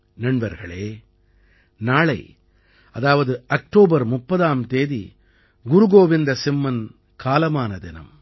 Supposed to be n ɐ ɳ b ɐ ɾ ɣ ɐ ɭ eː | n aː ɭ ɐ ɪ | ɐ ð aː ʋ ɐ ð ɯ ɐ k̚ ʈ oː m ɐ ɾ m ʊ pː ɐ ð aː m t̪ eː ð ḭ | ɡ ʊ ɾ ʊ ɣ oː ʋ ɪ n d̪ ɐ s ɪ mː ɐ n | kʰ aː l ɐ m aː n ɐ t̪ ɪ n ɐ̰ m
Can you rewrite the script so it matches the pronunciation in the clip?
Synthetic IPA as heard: n ɐ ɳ b ɐ ɾ ɣ ɐ ɭ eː | n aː ɭ ɐ ɪ | ɐ ð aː ʋ ɐ ð ɯ ɐ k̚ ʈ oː b ɐ ɾ m ʊ pː ɐ ð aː m t̪ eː ð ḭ | ɡ ʊ ɾ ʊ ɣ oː ʋ ɪ n d̪ ɐ s ɪ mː ɐ n | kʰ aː l ɐ m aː n ɐ d̪ ɪ n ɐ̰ m